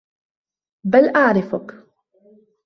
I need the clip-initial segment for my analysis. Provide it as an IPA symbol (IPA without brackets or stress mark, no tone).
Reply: b